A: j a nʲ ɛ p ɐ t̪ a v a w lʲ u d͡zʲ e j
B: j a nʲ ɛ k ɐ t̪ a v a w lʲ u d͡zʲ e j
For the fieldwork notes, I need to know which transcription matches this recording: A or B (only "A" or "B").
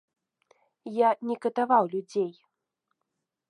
B